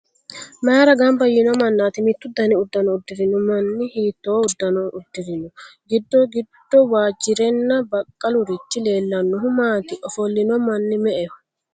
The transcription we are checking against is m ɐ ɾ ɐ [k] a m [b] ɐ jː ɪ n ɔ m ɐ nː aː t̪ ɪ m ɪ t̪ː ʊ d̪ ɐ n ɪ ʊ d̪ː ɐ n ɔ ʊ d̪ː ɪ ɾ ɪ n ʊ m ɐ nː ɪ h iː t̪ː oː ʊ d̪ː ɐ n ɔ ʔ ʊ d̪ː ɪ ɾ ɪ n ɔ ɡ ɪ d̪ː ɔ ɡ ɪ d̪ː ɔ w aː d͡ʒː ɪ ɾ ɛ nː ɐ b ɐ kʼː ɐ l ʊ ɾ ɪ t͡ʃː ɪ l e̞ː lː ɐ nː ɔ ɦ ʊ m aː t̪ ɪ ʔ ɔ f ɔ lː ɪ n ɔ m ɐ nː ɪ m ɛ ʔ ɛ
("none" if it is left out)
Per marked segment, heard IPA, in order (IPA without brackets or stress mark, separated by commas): ɡ, b